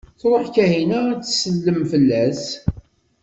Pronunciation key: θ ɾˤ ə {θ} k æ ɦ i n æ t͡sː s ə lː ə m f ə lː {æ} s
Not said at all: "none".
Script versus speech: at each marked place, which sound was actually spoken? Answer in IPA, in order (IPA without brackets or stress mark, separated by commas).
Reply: ħ, æ